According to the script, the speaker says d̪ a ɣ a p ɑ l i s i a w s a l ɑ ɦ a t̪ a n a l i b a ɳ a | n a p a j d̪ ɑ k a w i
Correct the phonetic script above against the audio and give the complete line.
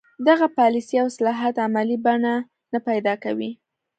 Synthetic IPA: d̪ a ɣ a p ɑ l i s i a w s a l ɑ ɦ a t̪ a m a l i b a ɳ a | n a p a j d̪ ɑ k a w i